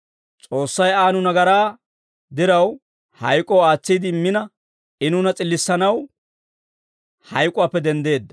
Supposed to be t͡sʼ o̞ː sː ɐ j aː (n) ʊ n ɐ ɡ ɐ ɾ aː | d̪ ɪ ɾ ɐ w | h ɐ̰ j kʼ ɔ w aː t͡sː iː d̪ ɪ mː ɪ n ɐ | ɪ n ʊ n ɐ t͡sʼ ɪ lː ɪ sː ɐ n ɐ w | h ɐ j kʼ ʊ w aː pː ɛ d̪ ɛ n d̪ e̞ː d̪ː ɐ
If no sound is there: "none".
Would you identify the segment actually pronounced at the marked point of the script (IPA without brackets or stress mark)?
n